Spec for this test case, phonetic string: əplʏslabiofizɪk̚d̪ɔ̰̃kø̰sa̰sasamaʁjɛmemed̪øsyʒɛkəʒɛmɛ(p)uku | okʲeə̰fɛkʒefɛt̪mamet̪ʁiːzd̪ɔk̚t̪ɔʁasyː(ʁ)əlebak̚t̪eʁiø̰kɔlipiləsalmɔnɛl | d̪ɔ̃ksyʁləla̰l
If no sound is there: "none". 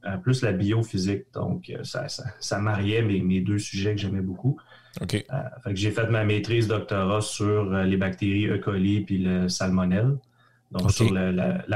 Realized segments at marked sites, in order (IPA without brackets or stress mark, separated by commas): b, ʁ